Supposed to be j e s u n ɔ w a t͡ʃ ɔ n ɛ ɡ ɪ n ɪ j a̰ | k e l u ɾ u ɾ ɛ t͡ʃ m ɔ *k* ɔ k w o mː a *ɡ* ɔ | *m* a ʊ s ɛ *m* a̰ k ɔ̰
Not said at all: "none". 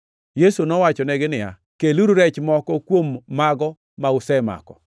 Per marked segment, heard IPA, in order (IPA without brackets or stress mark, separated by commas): k, ɡ, m, m